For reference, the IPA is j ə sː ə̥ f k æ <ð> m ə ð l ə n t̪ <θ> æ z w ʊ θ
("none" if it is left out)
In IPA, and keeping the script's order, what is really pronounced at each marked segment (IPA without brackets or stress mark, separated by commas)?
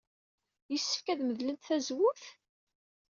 ð, θ